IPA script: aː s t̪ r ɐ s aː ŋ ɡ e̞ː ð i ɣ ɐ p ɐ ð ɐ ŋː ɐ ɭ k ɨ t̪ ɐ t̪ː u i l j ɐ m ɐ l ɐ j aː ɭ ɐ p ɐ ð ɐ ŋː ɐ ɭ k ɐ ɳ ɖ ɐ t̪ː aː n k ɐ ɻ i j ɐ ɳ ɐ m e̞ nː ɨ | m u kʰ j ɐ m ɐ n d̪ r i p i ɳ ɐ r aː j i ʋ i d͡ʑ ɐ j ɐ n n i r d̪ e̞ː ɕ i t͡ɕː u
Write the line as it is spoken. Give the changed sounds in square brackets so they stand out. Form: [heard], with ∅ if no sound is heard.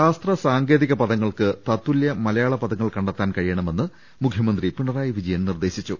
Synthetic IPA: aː s t̪ r ɐ s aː ŋ ɡ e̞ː ð i ɣ ɐ p ɐ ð ɐ ŋː ɐ ɭ k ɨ t̪ ɐ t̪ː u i l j ɐ m ɐ l ɐ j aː ɭ ɐ p ɐ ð ɐ ŋː ɐ ɭ k ɐ ɳ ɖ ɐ t̪ː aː n k ɐ ɻ i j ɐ ɳ ɐ m e̞ nː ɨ | m u kʰ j ɐ m ɐ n d̪ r i p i ɳ ɐ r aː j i ʋ i d͡ʑ ɐ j ɐ n n i r d̪ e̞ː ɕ i t͡ɕː u